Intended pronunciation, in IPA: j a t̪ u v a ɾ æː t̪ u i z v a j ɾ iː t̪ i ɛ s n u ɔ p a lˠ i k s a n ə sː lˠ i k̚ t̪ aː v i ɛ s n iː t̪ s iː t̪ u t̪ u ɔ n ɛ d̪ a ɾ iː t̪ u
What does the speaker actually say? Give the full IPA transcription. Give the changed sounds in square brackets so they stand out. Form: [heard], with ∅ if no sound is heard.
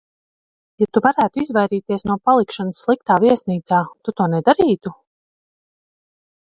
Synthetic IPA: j a t̪ u v a ɾ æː t̪ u i z v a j ɾ iː t̪ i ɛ s n u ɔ p a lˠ i k [ʃ] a n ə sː lˠ i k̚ t̪ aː v i ɛ s n iː t̪ s [aː] t̪ u t̪ u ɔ n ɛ d̪ a ɾ iː t̪ u